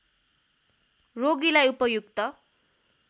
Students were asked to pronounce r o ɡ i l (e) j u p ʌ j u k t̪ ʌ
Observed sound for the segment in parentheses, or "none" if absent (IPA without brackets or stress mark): a